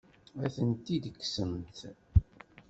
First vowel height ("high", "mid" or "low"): low